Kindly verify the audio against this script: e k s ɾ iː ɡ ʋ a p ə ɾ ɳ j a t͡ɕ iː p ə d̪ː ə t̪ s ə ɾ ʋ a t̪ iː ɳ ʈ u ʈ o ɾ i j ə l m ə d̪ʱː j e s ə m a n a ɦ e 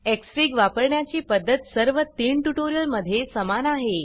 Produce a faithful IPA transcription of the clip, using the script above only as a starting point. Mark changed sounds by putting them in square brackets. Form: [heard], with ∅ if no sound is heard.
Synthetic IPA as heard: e k s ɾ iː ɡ ʋ a p ə ɾ ɳ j a t͡ɕ iː p ə d̪ː ə t̪ s ə ɾ ʋ [ə] t̪ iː ɳ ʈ u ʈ o ɾ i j ə l m ə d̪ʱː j e s ə m a n a ɦ e